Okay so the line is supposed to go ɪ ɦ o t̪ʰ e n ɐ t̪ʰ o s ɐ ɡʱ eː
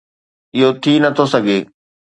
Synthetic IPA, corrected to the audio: ɪ ɦ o t̪ʰ i n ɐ t̪ʰ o s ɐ ɡʱ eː